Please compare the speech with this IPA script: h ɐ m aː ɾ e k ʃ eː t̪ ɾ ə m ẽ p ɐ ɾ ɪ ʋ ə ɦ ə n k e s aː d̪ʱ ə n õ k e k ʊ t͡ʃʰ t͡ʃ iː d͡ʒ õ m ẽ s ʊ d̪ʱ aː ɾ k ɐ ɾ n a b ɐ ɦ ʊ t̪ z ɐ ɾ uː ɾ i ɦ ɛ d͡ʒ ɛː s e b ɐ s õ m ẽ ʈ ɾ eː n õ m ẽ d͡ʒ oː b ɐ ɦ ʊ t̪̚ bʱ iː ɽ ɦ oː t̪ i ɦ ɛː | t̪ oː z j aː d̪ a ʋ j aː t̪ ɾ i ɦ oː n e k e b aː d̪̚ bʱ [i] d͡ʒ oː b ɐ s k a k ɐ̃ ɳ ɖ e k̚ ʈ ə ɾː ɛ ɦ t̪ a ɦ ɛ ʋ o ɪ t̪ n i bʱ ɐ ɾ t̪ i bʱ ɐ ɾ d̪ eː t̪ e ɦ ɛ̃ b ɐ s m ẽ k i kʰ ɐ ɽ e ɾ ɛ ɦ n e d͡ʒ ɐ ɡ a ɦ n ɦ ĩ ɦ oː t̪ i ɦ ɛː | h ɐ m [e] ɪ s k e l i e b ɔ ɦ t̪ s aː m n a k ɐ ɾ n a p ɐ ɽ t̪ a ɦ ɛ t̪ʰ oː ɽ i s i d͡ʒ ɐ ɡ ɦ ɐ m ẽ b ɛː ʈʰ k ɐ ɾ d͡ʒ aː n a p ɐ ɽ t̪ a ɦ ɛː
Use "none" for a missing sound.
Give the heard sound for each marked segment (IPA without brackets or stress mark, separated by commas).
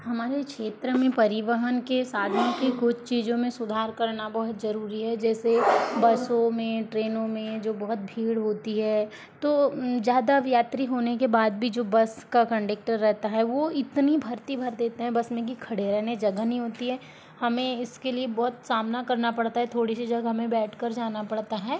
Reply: i, ẽ